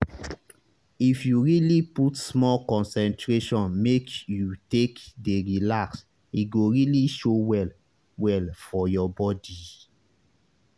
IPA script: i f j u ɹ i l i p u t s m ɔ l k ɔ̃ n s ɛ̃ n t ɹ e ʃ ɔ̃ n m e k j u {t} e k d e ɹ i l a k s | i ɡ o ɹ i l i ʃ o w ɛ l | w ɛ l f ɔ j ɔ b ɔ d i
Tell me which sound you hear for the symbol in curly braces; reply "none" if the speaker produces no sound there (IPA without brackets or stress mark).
t